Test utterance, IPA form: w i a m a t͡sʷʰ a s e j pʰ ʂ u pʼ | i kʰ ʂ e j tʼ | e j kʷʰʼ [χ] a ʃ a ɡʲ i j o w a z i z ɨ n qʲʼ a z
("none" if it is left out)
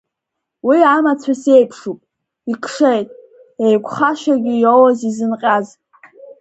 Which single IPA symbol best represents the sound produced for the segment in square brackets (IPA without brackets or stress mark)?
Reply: χ